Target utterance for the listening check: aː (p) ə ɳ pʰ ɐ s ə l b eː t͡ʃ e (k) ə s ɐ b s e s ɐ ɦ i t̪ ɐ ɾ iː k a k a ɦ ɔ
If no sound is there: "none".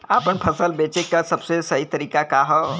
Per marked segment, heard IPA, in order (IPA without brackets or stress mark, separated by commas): p, k